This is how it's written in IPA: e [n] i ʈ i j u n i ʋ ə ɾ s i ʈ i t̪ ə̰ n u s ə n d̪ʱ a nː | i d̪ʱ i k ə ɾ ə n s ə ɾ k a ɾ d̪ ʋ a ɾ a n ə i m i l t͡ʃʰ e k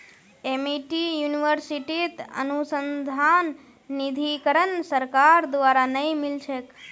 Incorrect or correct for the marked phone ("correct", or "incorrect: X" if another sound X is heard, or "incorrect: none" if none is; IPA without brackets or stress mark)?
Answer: incorrect: m